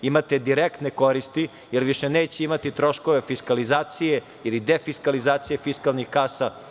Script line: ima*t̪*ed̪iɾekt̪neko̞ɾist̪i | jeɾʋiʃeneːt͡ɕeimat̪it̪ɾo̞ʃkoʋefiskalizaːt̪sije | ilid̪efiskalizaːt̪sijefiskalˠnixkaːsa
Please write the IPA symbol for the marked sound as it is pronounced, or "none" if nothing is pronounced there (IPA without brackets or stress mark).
t̪